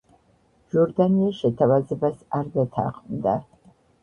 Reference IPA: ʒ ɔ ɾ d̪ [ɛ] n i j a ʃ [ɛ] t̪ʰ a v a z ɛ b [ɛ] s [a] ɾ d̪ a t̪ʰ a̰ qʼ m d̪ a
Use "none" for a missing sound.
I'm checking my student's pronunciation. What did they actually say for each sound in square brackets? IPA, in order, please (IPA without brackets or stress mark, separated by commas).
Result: a, ɛ, a, a